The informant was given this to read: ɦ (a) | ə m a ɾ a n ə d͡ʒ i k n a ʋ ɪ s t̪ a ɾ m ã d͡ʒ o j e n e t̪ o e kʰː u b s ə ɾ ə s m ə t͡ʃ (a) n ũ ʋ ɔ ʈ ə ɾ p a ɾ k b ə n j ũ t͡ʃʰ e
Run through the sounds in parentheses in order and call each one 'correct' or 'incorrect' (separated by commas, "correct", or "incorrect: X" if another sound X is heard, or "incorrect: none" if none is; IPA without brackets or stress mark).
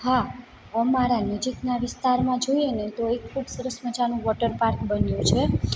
correct, correct